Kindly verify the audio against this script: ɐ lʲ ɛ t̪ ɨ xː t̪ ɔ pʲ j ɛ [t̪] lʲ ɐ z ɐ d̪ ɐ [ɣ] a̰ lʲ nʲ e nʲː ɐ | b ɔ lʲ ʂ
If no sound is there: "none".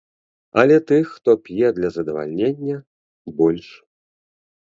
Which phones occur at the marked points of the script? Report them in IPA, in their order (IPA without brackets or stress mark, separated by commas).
d̪, v